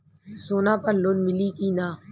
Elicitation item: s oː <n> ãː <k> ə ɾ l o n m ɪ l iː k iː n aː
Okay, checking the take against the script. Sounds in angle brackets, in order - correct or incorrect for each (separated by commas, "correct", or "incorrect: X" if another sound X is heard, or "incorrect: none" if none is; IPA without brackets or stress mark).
correct, incorrect: p